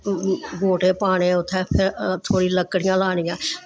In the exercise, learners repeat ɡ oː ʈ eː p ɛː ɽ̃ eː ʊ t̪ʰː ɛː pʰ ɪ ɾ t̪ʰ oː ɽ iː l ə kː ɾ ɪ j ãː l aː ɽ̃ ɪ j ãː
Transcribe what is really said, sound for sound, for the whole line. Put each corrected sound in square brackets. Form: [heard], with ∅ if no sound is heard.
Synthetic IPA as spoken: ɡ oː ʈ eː p [aː] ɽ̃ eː ʊ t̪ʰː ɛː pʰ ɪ ɾ t̪ʰ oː ɽ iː l ə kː [ɽ] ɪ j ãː l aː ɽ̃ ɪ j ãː